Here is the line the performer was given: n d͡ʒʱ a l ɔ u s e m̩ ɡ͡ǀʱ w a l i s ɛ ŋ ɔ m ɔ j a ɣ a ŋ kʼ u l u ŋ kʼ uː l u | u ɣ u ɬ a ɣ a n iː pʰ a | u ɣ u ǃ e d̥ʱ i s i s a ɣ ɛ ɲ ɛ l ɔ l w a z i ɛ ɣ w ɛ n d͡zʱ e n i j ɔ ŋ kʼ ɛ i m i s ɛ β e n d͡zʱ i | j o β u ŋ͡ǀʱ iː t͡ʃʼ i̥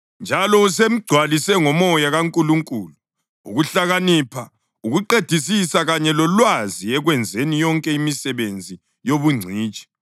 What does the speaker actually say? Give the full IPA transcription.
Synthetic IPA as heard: n d͡ʒʱ a l ɔ u s e m̩ ɡ͡ǀʱ w a l i s ɛ ŋ ɔ m ɔ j a ɣ a ŋ kʼ u l u ŋ kʼ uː l u | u ɣ u ɬ a ɣ a n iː pʰ a | u ɣ u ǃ e d̥ʱ i s i s a ɣ a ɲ ɛ l ɔ l w a z i ɛ ɣ w ɛ n d͡zʱ e n i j ɔ ŋ kʼ ɛ i m i s ɛ β e n d͡zʱ i | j o β u ŋ͡ǀʱ iː t͡ʃʼ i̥